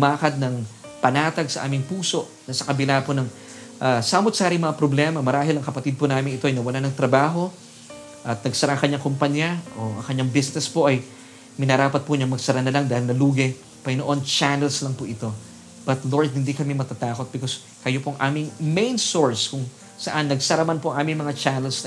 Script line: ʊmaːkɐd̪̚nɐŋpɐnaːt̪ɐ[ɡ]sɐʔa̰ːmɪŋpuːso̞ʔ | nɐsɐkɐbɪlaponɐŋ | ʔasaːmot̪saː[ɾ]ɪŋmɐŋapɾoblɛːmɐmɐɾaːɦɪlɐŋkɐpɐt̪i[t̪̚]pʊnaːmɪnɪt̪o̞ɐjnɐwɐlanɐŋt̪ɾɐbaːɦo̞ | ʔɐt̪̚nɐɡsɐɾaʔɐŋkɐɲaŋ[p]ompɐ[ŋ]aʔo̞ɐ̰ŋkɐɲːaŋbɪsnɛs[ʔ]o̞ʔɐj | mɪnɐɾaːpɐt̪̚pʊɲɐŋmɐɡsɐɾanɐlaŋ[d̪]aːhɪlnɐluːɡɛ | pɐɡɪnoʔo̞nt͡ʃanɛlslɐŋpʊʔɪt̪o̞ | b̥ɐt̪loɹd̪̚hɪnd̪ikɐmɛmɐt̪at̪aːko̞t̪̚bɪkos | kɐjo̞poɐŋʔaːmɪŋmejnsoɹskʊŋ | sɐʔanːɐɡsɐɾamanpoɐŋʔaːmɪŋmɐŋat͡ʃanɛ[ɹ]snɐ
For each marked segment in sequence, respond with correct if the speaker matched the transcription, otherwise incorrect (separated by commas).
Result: correct, correct, incorrect, incorrect, incorrect, incorrect, correct, incorrect